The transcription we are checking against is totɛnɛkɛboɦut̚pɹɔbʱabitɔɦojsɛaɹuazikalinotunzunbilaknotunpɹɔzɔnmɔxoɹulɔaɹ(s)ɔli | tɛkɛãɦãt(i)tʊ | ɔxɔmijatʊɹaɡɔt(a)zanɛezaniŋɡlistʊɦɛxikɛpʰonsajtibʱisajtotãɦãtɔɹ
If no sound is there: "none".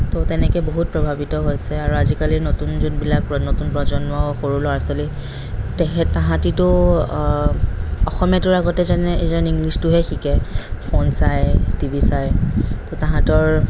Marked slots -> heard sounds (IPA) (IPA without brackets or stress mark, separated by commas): s, i, ɛ